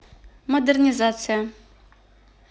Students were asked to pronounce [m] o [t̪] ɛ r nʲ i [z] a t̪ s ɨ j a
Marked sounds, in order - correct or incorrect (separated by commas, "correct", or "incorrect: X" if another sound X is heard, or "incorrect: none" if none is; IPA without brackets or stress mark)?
correct, incorrect: d̪, correct